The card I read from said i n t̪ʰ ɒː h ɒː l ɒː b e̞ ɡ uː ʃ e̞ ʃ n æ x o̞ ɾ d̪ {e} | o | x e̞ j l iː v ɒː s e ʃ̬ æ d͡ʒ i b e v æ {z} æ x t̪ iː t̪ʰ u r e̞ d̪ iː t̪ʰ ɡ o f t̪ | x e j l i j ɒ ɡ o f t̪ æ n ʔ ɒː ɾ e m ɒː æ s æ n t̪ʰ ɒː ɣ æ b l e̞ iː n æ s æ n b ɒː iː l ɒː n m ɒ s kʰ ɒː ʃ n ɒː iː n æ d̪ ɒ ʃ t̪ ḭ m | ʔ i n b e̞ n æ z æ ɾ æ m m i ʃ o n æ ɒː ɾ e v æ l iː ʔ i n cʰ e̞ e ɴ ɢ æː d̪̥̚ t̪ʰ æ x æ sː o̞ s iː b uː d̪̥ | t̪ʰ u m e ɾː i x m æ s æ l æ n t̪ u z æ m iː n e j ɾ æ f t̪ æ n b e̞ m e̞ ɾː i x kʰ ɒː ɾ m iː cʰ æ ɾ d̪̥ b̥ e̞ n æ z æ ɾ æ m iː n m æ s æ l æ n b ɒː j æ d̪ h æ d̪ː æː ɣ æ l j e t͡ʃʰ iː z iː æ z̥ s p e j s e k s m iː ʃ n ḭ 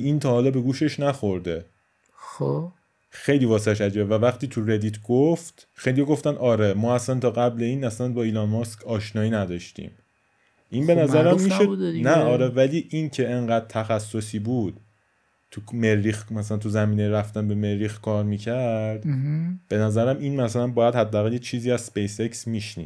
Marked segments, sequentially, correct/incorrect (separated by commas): correct, incorrect